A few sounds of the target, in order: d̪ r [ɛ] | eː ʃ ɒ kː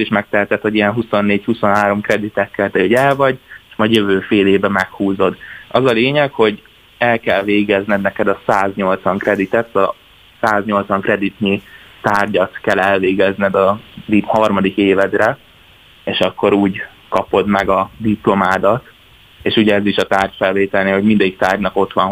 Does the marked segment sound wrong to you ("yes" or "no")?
no